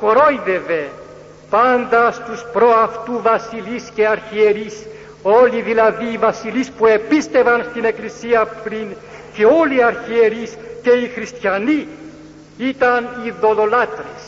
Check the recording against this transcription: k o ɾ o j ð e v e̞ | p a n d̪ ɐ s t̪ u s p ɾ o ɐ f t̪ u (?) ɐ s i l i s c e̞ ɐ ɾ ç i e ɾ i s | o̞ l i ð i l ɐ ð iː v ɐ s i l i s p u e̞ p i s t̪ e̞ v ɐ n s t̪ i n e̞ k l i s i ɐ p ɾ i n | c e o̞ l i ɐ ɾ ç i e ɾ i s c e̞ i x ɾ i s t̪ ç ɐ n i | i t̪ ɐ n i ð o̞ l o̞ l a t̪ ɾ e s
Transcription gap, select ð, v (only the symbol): v